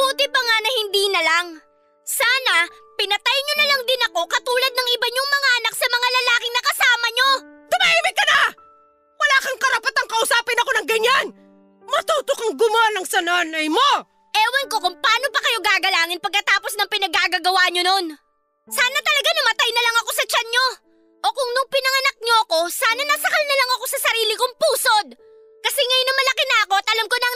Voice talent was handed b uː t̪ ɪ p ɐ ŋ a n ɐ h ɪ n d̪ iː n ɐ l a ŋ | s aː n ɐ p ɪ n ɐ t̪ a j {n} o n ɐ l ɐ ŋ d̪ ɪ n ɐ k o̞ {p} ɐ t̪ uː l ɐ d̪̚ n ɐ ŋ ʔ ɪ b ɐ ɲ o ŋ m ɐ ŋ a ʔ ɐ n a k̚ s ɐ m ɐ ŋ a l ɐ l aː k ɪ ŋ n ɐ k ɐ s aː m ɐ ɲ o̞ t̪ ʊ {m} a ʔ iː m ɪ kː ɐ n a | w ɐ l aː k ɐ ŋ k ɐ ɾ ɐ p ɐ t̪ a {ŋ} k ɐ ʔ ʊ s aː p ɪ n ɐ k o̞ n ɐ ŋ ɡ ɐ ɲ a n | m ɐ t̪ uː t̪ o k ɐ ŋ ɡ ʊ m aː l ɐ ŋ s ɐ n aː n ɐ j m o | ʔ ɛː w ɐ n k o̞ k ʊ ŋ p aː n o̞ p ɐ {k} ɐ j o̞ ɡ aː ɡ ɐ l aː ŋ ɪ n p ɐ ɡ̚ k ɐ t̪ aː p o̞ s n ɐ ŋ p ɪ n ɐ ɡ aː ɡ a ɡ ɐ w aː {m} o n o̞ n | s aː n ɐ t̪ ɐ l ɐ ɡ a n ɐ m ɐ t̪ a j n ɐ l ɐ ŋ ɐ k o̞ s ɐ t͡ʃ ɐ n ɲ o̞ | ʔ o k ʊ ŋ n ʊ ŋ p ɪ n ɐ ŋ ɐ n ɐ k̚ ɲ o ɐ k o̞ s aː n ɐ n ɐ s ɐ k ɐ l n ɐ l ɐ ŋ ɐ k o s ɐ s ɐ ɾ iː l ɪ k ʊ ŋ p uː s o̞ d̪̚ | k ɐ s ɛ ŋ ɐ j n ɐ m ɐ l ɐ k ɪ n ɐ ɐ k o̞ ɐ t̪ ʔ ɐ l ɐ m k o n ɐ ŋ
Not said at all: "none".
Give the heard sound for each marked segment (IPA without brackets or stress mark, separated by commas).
ɲ, k, m, ŋ, k, ɲ